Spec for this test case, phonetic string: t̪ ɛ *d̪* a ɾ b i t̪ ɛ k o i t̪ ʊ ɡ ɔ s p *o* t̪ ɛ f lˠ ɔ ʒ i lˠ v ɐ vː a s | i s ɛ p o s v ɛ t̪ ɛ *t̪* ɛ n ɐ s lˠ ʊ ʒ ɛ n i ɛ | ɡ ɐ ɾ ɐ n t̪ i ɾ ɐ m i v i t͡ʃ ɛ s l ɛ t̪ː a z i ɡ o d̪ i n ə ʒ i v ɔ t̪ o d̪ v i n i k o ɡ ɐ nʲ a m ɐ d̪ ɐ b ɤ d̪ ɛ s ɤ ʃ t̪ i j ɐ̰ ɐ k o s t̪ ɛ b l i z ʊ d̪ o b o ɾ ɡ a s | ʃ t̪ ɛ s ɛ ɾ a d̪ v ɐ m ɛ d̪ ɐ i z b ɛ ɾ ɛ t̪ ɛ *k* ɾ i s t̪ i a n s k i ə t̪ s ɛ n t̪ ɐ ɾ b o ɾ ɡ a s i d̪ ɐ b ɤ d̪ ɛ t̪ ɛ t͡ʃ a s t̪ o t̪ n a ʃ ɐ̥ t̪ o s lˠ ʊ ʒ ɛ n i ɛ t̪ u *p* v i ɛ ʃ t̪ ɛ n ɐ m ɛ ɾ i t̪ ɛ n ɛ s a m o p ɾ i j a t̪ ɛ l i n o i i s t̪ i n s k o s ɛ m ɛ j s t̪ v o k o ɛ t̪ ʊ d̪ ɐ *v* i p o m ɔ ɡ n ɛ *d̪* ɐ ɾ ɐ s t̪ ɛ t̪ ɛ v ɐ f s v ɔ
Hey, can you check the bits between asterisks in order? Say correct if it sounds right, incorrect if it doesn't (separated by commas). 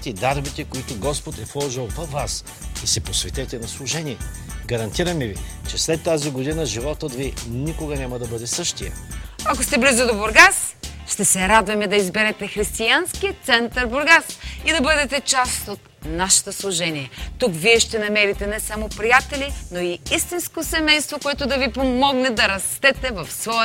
correct, correct, correct, incorrect, incorrect, correct, correct